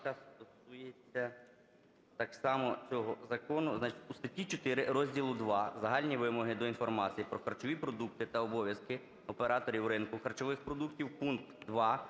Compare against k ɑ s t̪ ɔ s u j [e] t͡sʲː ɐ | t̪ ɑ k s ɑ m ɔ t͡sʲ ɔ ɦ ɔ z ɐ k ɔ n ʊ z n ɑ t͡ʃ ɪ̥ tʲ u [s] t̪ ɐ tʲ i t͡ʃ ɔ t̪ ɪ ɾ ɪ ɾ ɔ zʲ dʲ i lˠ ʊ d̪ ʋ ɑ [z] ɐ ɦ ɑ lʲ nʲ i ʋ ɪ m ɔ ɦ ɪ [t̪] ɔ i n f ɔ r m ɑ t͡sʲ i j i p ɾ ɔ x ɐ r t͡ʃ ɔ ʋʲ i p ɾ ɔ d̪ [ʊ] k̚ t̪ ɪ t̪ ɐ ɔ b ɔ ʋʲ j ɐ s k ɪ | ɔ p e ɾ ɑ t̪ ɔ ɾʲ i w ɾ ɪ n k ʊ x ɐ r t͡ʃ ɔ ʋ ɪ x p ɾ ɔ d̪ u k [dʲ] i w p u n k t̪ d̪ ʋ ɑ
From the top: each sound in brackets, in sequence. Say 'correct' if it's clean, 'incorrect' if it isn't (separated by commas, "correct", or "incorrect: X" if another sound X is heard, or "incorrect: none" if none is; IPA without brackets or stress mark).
correct, correct, correct, incorrect: d̪, incorrect: u, incorrect: tʲ